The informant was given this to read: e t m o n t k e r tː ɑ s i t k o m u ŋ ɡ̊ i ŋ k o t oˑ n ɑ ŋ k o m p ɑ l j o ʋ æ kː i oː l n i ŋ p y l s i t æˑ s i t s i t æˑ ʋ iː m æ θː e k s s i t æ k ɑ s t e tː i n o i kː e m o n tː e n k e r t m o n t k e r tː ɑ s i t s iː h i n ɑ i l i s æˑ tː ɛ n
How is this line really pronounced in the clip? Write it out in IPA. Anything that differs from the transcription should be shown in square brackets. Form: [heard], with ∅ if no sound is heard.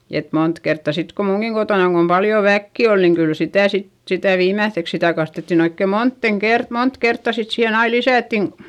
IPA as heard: e t m o n t k e r tː ɑ s i t k o m u ŋ ɡ̊ i ŋ k o t oˑ n ɑ ŋ k o m p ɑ l j o ʋ æ kː i [o] l n i ŋ [k] y l s i t æˑ s i t s i t æˑ ʋ iː m æ θː e k s s i t æ k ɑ s t e tː i n o i kː e m o n tː e n k e r t m o n t k e r tː ɑ s i t s iː h [e] n ɑ i l i s æˑ tː [i] n